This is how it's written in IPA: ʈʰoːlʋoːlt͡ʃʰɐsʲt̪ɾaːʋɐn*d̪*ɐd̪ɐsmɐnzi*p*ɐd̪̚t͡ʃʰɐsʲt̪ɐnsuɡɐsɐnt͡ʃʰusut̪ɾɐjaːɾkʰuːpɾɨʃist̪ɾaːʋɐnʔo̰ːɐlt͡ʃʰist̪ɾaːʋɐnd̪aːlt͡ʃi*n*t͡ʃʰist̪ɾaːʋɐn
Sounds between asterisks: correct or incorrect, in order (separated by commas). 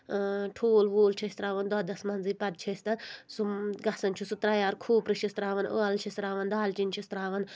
correct, correct, correct